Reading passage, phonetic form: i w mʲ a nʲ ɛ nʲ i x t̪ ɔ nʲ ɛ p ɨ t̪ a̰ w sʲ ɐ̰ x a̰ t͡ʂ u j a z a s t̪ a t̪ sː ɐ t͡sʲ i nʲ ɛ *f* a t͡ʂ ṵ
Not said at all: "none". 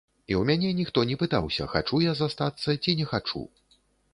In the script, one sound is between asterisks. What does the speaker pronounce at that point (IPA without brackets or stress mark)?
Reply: x